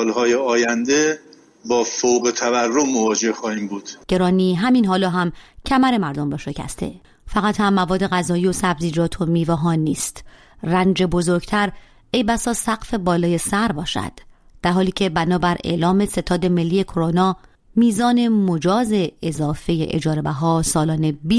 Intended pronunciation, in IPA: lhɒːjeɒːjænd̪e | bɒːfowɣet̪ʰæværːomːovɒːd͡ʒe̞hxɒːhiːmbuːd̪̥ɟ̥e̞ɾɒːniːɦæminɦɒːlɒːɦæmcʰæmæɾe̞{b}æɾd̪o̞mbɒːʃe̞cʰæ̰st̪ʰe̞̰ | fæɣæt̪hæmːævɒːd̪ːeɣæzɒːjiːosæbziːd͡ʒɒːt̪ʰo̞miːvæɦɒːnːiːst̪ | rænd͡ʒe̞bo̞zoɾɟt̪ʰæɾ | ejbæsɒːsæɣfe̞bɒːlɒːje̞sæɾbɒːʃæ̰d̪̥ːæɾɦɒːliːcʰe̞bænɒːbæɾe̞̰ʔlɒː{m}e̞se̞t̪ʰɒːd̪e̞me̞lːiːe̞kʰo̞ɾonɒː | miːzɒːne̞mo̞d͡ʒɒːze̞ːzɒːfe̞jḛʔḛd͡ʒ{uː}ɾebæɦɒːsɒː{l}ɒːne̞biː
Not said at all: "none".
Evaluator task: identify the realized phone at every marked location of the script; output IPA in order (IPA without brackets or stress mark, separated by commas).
m, m, ɒː, l